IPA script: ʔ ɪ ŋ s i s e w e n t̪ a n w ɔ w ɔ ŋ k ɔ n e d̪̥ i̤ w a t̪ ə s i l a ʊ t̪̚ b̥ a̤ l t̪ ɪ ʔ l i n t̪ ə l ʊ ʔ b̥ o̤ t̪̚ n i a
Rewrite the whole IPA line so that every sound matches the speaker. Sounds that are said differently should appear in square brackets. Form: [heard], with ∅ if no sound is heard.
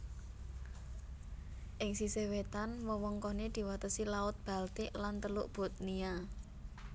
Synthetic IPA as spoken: ʔ ɪ ŋ s i s e w e [∅] t̪ a n w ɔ w ɔ ŋ k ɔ n e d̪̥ i̤ w a t̪ ə s i l a ʊ t̪̚ b̥ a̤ l t̪ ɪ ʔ l [a] n t̪ ə l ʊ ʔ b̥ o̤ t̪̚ n i a